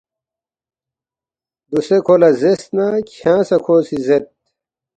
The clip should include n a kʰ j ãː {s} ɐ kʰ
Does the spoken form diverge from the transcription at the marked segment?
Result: no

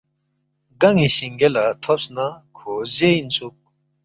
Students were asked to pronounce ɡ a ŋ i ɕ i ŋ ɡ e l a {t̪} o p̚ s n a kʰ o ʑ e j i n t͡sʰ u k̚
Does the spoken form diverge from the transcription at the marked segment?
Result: yes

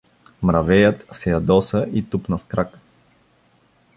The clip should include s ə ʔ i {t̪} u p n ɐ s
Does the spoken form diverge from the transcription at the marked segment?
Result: no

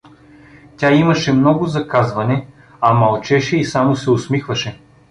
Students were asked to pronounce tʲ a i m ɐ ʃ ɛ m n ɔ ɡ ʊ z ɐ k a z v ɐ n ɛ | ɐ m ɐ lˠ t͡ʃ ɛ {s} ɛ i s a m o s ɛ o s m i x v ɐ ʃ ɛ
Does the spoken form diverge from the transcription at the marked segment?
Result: yes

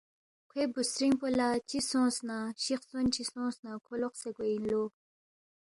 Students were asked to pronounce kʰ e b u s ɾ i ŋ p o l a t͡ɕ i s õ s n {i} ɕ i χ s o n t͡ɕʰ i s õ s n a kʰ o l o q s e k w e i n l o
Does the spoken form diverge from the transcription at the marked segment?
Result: yes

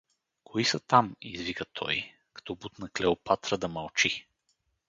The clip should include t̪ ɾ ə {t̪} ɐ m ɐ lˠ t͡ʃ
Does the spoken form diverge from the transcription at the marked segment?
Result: yes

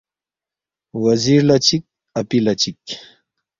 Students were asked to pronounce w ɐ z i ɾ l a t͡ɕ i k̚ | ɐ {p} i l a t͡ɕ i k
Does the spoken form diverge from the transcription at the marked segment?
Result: no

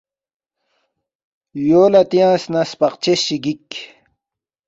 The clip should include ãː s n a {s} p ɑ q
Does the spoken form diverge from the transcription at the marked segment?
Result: no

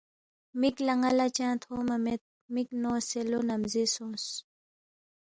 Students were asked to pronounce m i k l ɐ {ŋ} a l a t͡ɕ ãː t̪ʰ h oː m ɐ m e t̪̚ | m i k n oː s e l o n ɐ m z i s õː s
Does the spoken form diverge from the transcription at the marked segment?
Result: no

